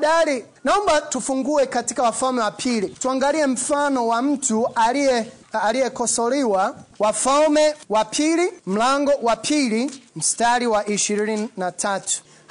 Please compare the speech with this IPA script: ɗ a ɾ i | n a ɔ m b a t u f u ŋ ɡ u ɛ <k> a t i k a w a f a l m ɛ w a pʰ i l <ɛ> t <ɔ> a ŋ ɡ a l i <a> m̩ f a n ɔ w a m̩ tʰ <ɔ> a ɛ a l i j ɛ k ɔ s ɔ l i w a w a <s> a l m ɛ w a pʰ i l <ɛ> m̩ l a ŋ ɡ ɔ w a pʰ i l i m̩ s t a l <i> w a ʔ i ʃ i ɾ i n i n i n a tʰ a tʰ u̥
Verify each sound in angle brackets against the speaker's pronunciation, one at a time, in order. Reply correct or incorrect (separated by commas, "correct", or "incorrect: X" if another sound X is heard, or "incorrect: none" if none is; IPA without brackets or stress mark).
correct, incorrect: i, incorrect: u, incorrect: ɛ, incorrect: u, incorrect: f, incorrect: i, correct